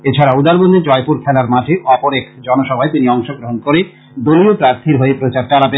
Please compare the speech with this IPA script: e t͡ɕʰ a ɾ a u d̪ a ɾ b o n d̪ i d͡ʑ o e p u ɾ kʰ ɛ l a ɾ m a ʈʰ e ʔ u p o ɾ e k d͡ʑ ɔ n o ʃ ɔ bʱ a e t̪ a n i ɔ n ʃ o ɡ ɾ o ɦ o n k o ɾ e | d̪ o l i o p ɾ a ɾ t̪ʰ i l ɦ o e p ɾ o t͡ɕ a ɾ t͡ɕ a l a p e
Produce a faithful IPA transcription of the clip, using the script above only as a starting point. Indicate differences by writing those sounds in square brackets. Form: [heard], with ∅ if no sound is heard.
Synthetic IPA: e t͡ɕʰ a ɾ a u d̪ a ɾ b o n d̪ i d͡ʑ [ɔ] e p u ɾ kʰ ɛ l a ɾ m a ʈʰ e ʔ [ɔ] p o ɾ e k d͡ʑ ɔ n o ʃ ɔ bʱ a e t̪ [i] n i ɔ [ŋ] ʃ o ɡ ɾ o ɦ o n k o ɾ e | d̪ o l i o p ɾ a ɾ t̪ʰ i [ɾ] ɦ o e p ɾ o t͡ɕ a ɾ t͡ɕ a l a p e